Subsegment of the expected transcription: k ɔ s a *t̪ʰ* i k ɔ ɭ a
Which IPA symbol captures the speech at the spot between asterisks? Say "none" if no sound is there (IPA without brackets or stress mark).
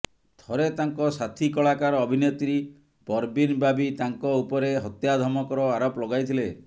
t̪ʰ